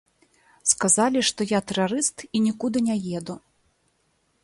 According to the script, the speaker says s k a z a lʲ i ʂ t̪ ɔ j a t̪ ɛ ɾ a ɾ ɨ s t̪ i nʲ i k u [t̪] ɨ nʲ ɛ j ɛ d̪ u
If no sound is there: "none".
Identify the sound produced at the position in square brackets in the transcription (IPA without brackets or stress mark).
d̪